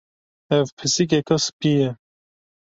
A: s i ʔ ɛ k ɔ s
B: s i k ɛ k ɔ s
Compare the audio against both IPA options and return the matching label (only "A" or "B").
B